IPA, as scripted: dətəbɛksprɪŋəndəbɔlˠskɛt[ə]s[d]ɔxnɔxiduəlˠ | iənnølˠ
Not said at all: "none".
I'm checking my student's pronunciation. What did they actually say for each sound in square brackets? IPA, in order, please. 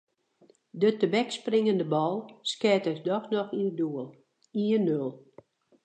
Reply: ə, d

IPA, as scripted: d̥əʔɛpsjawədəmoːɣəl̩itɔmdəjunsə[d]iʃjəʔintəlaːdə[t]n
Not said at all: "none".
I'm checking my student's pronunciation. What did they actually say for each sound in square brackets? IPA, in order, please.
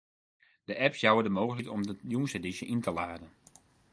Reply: d, none

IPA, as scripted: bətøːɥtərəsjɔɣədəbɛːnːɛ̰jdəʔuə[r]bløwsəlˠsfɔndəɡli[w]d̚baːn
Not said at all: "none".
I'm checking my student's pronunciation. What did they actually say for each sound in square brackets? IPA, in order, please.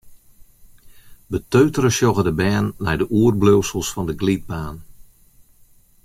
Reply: r, none

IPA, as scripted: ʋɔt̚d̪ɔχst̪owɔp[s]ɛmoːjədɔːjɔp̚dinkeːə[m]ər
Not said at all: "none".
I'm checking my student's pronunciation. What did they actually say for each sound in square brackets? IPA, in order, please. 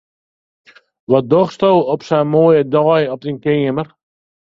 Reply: s, m

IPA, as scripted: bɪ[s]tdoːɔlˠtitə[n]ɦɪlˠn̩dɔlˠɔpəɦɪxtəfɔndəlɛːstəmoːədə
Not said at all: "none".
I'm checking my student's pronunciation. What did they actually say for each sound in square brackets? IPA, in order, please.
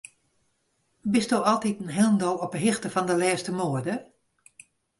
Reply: s, n

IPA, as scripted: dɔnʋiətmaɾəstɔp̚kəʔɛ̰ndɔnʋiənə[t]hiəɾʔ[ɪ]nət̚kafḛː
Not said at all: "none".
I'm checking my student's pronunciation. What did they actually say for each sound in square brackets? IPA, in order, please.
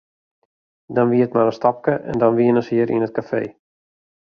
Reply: s, i

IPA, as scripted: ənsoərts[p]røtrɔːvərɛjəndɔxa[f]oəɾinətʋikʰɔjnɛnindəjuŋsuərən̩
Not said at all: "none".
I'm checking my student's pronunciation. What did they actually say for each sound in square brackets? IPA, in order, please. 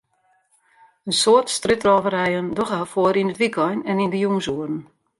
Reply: t, f

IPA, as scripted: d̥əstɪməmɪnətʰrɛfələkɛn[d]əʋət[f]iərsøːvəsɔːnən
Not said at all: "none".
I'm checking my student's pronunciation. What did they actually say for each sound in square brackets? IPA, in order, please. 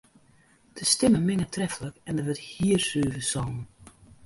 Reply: d, h

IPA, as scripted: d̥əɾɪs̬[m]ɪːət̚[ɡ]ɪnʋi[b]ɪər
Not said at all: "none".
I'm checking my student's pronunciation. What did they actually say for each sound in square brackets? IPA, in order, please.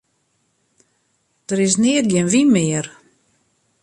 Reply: n, ɡ, m

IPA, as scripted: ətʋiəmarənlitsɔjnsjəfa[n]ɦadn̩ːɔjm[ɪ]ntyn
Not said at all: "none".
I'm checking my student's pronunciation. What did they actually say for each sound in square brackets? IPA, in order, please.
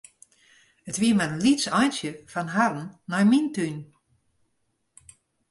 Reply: n, i

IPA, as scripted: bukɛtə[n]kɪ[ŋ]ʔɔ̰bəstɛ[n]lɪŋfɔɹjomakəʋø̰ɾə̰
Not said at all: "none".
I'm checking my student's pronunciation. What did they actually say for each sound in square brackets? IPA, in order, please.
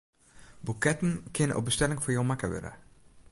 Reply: n, n, none

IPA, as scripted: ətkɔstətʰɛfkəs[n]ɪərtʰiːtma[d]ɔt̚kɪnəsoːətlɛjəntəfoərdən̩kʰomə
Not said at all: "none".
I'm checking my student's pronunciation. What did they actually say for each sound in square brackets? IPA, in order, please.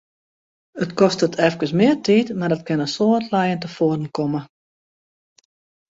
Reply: m, d

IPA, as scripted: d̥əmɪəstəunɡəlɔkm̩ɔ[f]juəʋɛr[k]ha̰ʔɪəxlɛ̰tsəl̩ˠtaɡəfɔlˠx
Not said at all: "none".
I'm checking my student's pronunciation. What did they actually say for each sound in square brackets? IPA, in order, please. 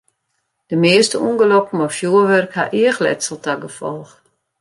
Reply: f, k

